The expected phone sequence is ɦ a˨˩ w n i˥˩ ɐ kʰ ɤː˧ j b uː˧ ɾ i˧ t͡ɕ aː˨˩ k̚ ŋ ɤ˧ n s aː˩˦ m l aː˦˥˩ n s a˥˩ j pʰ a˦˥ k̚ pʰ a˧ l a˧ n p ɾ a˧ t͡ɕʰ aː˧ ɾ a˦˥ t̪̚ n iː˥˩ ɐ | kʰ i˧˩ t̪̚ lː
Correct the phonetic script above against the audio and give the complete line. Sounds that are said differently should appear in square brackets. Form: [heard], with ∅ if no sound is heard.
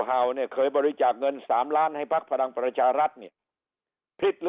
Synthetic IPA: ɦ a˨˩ w n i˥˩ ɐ kʰ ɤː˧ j b [ɔː˧] ɾ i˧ t͡ɕ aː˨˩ k̚ ŋ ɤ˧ n s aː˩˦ m l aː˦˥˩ n [h] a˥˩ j pʰ a˦˥ k̚ pʰ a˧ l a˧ [ŋ] p ɾ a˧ t͡ɕʰ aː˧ ɾ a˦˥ t̪̚ n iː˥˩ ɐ | [pʰ] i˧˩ t̪̚ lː